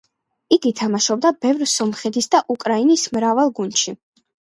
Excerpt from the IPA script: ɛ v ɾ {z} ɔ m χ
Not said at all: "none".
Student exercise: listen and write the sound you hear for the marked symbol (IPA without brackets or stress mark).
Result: s